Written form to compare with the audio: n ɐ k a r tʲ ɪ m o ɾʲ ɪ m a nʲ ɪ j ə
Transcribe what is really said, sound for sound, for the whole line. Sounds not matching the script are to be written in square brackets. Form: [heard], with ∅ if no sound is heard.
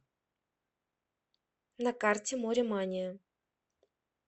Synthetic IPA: n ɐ k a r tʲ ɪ m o ɾʲ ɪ m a nʲ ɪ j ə